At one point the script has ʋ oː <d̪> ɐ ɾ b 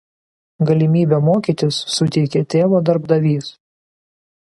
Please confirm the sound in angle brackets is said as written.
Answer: yes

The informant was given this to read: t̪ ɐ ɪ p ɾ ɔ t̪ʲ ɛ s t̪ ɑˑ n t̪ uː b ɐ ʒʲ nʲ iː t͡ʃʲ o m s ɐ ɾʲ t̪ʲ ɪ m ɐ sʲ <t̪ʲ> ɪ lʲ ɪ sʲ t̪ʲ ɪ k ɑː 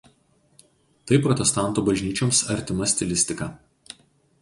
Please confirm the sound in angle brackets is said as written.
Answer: yes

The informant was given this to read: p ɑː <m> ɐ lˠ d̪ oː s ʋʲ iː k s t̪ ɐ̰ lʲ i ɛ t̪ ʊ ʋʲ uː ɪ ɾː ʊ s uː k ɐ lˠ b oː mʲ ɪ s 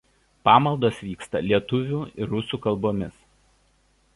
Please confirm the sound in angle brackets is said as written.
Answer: yes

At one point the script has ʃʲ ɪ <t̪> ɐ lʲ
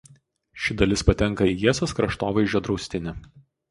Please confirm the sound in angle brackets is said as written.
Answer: no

